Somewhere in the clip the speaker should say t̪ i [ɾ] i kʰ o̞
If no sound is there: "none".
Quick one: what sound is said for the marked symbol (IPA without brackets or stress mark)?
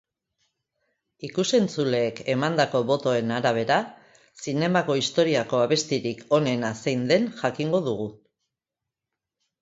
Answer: ɾ